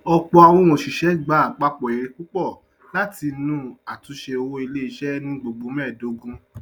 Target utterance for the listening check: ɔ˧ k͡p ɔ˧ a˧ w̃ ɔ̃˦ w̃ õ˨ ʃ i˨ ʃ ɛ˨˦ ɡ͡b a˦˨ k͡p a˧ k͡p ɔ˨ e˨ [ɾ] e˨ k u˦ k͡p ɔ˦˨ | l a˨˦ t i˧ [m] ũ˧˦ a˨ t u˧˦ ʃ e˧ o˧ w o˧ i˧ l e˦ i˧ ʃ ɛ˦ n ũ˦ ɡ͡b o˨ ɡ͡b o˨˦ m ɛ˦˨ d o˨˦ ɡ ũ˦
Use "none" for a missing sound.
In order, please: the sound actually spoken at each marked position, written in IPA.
ɾ, n

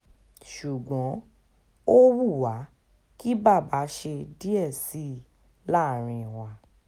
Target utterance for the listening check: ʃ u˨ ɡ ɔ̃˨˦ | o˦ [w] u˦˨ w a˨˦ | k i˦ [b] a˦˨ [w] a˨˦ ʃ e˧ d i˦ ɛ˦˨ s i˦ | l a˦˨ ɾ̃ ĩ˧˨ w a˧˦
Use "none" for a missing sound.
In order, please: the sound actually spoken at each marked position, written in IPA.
w, b, b

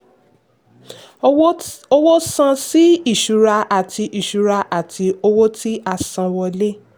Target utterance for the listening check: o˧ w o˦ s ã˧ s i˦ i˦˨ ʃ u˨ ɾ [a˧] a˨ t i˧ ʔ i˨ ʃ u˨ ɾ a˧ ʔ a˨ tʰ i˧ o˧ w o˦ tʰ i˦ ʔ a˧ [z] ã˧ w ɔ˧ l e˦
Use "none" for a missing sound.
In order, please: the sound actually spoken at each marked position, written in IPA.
a˧, s

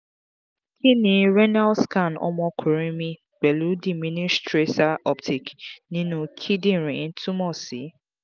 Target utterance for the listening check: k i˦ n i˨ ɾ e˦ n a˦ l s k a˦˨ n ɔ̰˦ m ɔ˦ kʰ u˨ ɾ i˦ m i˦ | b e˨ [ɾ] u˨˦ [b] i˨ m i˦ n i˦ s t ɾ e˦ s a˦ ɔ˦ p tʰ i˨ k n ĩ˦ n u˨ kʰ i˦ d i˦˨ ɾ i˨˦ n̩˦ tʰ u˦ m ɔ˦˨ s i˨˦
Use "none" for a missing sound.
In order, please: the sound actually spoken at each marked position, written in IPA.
l, d

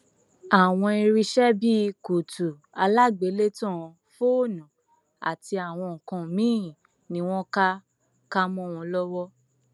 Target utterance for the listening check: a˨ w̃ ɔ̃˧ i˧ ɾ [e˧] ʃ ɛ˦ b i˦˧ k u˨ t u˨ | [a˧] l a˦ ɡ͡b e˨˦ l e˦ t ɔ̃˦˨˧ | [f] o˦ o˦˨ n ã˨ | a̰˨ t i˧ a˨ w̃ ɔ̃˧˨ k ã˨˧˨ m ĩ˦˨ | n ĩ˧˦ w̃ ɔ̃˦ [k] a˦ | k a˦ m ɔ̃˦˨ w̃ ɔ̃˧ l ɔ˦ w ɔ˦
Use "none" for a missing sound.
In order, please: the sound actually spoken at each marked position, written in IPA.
i˧, a˧, f, k

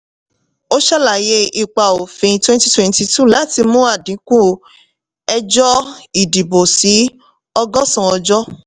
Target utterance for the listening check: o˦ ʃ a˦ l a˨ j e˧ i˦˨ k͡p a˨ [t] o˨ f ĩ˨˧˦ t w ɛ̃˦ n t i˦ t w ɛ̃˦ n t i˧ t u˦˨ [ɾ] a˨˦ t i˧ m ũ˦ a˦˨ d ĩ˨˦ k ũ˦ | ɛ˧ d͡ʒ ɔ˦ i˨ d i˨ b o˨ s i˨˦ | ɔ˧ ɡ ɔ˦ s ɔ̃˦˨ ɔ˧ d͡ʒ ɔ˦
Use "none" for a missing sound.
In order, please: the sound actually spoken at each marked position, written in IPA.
none, l

